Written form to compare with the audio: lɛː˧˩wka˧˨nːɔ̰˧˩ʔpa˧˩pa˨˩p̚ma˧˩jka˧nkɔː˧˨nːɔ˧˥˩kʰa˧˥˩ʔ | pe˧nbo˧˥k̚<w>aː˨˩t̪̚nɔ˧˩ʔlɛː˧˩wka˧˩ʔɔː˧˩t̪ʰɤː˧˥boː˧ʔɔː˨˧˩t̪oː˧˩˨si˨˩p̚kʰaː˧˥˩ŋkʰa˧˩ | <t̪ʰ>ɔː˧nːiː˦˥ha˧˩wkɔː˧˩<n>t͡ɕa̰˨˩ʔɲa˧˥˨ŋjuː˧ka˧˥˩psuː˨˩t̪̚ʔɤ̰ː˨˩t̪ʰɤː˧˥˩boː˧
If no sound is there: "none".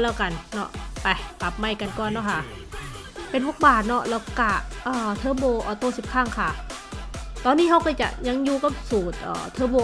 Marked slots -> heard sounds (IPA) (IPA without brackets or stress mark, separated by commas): b, t̪, none